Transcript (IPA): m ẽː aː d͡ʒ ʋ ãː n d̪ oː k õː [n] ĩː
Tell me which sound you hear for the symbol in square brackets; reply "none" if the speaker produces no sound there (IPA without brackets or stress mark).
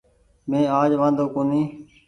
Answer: n